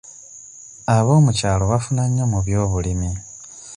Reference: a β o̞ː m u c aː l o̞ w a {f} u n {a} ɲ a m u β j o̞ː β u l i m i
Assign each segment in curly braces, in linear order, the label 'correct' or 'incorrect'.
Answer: correct, correct

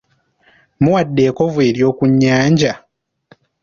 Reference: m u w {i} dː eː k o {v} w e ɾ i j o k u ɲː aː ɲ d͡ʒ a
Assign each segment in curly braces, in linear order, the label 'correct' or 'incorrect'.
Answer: incorrect, correct

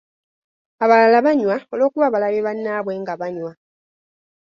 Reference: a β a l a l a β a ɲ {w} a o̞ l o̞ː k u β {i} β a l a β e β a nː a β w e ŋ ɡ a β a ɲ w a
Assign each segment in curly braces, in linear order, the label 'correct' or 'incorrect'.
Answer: correct, incorrect

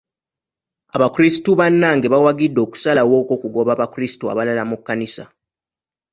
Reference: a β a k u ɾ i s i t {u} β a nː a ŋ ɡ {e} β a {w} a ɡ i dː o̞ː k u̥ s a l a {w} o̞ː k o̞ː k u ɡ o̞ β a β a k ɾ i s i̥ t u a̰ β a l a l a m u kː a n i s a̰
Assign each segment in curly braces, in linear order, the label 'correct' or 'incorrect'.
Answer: correct, correct, correct, correct

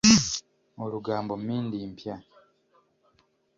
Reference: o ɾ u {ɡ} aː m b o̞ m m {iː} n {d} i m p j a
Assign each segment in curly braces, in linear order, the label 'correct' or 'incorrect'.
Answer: correct, correct, correct

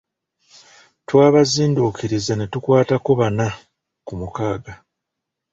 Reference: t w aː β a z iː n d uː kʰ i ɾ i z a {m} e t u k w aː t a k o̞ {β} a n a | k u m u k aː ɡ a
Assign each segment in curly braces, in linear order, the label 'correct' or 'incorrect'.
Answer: incorrect, correct

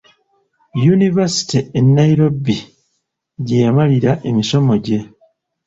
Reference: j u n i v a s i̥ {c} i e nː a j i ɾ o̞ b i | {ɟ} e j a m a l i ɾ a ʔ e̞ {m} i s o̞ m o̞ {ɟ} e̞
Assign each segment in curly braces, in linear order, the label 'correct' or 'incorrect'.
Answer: incorrect, correct, correct, correct

